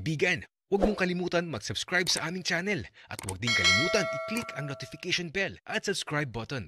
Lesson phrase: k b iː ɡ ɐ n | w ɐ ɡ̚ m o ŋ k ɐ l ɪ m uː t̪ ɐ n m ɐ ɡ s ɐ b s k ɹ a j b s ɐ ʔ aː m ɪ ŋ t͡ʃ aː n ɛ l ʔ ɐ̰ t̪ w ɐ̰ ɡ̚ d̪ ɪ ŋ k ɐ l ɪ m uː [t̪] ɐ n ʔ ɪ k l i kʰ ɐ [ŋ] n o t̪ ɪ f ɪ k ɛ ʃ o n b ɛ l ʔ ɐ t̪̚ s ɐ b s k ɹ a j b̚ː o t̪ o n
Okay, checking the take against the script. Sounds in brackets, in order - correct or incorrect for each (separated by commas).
correct, correct